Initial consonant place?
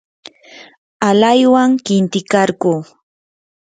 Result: alveolar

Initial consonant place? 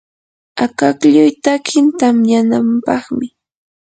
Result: velar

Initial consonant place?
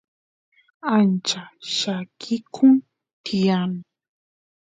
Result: alveolar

